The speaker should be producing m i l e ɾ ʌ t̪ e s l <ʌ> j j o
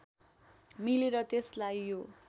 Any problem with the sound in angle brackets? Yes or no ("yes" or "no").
yes